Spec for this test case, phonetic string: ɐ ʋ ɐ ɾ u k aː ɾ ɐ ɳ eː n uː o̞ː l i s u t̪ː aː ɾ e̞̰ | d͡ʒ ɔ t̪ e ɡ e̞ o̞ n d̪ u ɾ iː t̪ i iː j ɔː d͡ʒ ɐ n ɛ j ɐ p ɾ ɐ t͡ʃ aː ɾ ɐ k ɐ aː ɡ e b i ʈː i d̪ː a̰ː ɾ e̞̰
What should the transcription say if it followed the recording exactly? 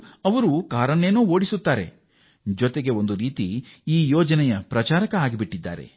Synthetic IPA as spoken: ɐ ʋ ɐ ɾ u k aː ɾ ɐ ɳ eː n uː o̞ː ɽ i s u t̪ː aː ɾ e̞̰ | d͡ʒ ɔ t̪ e ɡ e̞ o̞ n d̪ u ɾ iː t̪ i iː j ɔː d͡ʒ ɐ n ɛ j ɐ p ɾ ɐ t͡ʃ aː ɾ ɐ k ɐ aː ɡ i b i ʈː i d̪ː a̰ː ɾ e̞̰